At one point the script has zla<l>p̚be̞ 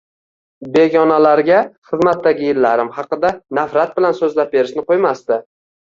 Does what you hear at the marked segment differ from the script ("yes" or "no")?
yes